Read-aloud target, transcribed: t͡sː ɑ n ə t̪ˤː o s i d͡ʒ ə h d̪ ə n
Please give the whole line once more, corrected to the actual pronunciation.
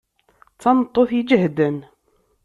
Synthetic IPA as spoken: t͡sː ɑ n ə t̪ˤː o θ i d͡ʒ ə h d̪ ə n